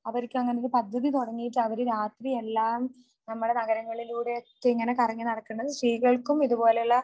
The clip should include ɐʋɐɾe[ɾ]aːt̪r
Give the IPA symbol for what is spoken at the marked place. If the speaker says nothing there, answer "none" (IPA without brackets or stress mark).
ɾ